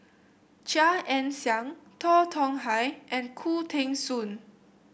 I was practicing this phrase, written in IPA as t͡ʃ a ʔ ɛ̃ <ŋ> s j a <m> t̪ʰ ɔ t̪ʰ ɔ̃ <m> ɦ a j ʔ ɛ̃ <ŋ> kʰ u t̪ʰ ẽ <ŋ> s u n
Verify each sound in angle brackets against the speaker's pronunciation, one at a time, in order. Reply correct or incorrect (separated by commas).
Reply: incorrect, incorrect, incorrect, incorrect, correct